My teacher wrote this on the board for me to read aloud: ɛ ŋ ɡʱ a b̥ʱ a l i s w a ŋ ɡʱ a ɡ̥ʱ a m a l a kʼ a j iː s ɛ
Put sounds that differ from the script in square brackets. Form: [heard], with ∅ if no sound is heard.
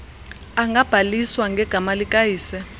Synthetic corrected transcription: [a] ŋ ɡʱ a b̥ʱ a l i s w a ŋ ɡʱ [ɛ] ɡ̥ʱ a m a l [i] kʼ a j iː s ɛ

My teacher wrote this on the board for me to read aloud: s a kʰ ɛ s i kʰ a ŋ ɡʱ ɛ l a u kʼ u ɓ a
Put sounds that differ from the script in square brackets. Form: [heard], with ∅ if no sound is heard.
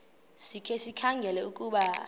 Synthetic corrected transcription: s [i] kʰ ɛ s i kʰ a ŋ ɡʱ ɛ l [ɛ] u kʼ u ɓ a

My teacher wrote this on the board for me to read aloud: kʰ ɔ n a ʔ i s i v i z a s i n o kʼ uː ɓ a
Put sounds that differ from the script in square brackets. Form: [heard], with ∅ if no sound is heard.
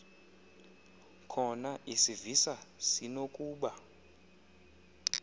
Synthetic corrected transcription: kʰ ɔ n a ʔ i s i v i [s] a s i n o kʼ uː ɓ a

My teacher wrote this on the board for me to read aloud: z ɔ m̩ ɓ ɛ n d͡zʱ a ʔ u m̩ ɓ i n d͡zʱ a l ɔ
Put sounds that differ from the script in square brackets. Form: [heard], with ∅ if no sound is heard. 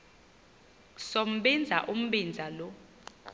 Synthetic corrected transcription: [s] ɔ m̩ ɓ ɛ n d͡zʱ a ʔ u m̩ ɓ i n d͡zʱ a l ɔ

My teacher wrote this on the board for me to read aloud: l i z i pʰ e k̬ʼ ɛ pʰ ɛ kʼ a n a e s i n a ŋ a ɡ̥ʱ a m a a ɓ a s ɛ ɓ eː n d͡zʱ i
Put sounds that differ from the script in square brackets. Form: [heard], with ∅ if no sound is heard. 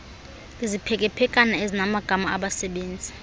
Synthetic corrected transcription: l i z i pʰ [ɛ] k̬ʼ ɛ pʰ ɛ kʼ a n a e [z] i n a [m] a ɡ̥ʱ a m a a ɓ a s ɛ ɓ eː n d͡zʱ i

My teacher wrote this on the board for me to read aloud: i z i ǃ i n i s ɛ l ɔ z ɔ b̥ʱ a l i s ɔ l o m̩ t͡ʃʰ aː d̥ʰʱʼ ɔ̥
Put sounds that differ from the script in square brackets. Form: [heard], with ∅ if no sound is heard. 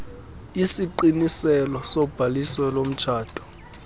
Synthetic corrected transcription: i [s] i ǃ i n i s ɛ l ɔ [s] ɔ b̥ʱ a l i s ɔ l o m̩ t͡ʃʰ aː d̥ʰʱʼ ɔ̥

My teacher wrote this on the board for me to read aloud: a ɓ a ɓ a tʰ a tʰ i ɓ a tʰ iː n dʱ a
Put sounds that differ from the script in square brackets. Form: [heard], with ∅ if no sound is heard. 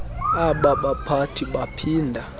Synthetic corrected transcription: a ɓ a ɓ a [pʰ] a tʰ i ɓ a [pʰ] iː n dʱ a

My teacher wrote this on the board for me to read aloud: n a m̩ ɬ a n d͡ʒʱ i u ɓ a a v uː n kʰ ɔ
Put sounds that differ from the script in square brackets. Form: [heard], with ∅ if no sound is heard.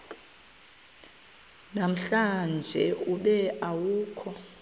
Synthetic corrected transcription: n a m̩ ɬ a n d͡ʒʱ [ɛ] u ɓ [ɛ] a [w] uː [∅] kʰ ɔ

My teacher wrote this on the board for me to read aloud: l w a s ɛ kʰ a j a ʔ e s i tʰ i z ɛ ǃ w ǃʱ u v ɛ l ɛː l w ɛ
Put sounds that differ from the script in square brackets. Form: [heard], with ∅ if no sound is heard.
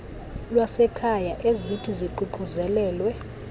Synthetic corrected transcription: l w a s ɛ kʰ a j a ʔ e [z] i tʰ i z [i] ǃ [u] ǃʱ u [z] ɛ l ɛː l w ɛ

